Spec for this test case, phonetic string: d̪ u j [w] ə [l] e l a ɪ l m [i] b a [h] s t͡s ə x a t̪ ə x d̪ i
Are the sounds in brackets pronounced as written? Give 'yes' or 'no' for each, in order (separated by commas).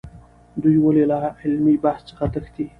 yes, yes, yes, yes